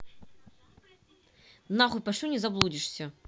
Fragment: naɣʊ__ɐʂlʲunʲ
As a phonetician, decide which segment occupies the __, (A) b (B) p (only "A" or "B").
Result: B